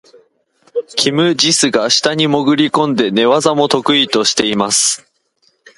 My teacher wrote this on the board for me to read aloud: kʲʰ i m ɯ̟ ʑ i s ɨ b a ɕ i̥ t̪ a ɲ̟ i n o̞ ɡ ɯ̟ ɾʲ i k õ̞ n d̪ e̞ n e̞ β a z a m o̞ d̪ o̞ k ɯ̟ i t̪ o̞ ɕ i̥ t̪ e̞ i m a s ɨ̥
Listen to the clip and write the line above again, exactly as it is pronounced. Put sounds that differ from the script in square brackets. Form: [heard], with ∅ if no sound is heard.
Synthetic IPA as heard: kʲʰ i m ɯ̟ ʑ i s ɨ [ɡ] a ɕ i̥ t̪ a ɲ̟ i [m] o̞ ɡ ɯ̟ ɾʲ i k õ̞ n d̪ e̞ n e̞ β a z a m o̞ [t̪] o̞ k ɯ̟ i t̪ o̞ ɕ i̥ t̪ e̞ i m a s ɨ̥

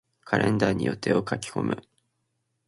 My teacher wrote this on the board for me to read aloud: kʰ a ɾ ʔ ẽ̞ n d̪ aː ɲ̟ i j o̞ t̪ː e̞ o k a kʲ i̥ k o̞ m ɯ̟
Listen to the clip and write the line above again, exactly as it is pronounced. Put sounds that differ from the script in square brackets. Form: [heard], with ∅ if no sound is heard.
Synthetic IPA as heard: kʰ a ɾ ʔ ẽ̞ n d̪ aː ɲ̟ i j o̞ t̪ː e̞ o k a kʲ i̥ k o̞ m ɯ̟

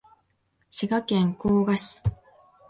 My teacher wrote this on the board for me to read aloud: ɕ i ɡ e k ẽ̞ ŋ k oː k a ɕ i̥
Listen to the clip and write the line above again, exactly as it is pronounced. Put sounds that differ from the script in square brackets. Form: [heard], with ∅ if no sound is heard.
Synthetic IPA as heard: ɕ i ɡ [a] k ẽ̞ ŋ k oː [ɡ] a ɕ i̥

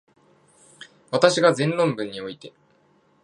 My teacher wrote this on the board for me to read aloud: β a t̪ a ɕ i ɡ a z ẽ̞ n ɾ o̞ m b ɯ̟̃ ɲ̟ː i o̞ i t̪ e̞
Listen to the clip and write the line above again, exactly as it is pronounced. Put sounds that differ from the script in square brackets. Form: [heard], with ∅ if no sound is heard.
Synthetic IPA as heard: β a t̪ a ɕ i ɡ a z ẽ̞ n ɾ [õ̞] m b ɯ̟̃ ɲ̟ː i o̞ i t̪ e̞

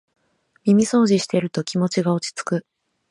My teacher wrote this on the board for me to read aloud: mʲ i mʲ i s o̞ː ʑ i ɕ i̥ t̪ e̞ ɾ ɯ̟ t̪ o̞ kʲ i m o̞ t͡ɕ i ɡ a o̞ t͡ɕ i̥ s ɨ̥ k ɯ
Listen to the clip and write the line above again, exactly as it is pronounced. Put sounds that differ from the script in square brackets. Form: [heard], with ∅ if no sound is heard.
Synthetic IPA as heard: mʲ i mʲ i s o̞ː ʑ i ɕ i̥ t̪ e̞ ɾ ɯ̟ t̪ o̞ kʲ i m o̞ t͡ɕ i ɡ a o̞ t͡ɕ i̥ [t͡s] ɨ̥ k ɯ

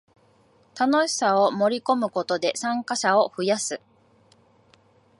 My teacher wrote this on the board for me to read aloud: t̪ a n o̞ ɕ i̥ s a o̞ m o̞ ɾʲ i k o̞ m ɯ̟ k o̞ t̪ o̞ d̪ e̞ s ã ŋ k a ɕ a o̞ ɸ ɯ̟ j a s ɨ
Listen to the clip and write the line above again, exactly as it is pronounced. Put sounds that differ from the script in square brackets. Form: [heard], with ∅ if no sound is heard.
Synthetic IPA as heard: t̪ a n o̞ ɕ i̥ s a o̞ m o̞ ɾʲ i k o̞ m ɯ̟ k o̞ t̪ o̞ d̪ e̞ s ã ŋ k a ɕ a o̞ ɸ ɯ̟ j a s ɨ

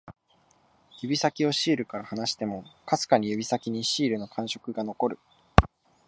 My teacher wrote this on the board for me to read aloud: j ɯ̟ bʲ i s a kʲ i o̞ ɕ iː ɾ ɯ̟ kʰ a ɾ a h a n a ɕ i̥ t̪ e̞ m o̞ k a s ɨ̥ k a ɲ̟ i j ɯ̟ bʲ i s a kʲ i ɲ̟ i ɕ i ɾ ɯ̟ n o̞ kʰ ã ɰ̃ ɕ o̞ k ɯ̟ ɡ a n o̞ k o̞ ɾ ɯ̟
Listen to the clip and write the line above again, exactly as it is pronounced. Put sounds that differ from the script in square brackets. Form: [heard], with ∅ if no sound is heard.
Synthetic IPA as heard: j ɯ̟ bʲ i s a kʲ i o̞ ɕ iː ɾ ɯ̟ [k] a ɾ a h a n a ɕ i̥ t̪ e̞ m o̞ k a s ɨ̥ k a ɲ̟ i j ɯ̟ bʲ i s a kʲ i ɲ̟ i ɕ [iː] ɾ ɯ̟ n o̞ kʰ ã ɰ̃ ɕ o̞ k ɯ̟ ɡ a n o̞ k o̞ ɾ ɯ̟

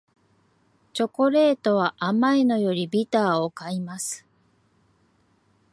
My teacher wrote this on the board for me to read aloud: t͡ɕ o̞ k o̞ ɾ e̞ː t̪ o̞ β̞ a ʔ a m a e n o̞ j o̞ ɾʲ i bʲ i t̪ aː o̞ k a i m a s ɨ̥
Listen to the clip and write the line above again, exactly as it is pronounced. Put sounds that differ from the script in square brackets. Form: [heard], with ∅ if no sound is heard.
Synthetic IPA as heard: t͡ɕ o̞ k o̞ ɾ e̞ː t̪ o̞ β̞ a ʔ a m a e n o̞ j o̞ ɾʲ i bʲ i t̪ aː o̞ k a i m a s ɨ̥

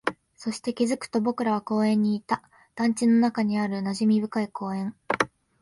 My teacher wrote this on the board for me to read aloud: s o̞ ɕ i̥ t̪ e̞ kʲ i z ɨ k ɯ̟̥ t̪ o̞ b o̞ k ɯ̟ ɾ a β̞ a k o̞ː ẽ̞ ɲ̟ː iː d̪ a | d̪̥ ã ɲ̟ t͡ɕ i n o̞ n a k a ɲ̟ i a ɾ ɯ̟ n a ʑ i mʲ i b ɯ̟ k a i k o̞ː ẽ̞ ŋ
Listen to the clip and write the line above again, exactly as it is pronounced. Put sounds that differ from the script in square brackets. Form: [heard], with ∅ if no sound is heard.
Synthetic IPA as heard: s o̞ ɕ i̥ t̪ e̞ kʲ i z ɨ k ɯ̟̥ t̪ o̞ b o̞ k ɯ̟ ɾ a β̞ a k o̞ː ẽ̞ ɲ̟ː iː [t̪] a | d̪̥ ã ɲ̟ t͡ɕ i n o̞ n a k a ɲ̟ i a ɾ ɯ̟ n a ʑ i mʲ i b ɯ̟ k a i k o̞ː ẽ̞ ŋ

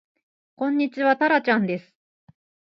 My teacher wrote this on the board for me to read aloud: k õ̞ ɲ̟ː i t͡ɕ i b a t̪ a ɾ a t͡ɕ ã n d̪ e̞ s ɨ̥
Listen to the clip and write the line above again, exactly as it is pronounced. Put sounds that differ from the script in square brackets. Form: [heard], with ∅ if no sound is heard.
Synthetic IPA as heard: k õ̞ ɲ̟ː i t͡ɕ i [β] a t̪ a ɾ a t͡ɕ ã n d̪ e̞ s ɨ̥

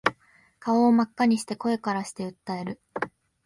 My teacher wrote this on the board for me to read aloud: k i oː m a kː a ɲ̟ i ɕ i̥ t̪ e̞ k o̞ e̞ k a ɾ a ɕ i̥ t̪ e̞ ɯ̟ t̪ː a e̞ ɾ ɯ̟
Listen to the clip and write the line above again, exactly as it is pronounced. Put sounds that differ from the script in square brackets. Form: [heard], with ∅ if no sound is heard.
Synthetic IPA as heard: k [a] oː m a kː a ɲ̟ i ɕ i̥ t̪ e̞ k o̞ e̞ k a ɾ a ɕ i̥ t̪ e̞ ɯ̟ t̪ː a e̞ ɾ ɯ̟

